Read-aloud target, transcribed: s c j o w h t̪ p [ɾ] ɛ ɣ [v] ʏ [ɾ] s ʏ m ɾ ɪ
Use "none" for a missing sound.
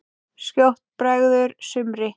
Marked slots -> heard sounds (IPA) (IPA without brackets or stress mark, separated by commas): ɾ, ð, ɾ